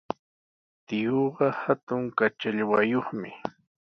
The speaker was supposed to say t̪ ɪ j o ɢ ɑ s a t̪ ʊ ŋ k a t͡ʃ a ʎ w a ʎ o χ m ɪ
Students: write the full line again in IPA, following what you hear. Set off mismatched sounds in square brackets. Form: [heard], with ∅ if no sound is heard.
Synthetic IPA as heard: t̪ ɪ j o ɢ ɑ [h] a t̪ ʊ ŋ k a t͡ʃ a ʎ w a [j] o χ m ɪ